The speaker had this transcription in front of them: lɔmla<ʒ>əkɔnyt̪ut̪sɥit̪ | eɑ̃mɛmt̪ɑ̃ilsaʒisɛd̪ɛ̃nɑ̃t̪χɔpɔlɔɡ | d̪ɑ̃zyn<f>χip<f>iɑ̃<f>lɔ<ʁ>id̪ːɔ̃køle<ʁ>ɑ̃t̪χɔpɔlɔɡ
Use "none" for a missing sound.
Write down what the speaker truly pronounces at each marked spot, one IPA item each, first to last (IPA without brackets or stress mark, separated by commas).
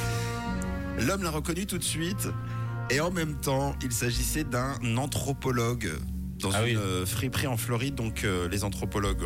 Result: ʁ, f, χ, f, ʁ, z